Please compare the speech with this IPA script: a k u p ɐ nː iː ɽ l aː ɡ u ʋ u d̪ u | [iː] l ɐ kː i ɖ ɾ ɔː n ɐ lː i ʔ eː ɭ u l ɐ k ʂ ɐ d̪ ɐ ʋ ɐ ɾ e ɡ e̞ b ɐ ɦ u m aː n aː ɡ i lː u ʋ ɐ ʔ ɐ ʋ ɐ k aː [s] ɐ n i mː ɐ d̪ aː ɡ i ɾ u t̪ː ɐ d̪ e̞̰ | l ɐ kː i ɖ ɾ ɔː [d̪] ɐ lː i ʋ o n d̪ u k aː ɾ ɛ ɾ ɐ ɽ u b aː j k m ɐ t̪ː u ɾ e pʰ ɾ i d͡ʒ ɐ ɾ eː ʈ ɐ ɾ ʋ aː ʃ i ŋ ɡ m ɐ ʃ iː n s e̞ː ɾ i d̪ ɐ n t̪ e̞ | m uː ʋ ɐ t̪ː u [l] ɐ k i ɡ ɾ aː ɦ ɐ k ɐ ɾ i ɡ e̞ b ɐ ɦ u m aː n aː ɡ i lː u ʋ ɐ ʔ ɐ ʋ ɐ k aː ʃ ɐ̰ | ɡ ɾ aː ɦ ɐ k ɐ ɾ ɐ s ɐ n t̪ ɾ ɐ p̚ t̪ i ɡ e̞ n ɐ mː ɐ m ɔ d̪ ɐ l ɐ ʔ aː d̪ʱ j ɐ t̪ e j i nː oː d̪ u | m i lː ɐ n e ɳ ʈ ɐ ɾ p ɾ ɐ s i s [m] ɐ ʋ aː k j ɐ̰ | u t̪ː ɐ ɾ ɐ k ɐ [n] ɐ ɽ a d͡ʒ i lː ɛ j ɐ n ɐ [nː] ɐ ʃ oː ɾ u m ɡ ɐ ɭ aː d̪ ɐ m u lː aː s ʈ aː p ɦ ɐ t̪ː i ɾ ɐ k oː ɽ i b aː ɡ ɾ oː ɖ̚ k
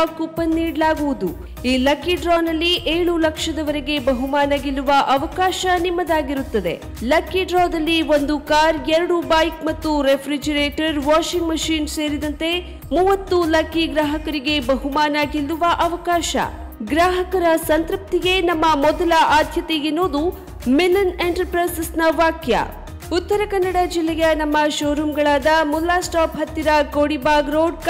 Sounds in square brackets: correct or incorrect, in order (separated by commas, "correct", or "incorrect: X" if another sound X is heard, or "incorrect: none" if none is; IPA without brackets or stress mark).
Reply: correct, incorrect: ʃ, correct, correct, incorrect: n, incorrect: nː, incorrect: mː